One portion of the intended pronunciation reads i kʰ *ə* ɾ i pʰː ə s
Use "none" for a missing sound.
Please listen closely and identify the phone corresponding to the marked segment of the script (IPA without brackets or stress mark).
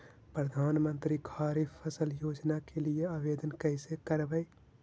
a